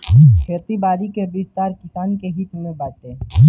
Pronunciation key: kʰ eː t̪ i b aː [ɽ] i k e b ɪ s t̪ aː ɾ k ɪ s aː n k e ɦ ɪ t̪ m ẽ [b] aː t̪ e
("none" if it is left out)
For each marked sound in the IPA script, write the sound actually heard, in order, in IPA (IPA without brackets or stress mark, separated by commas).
ɾ, b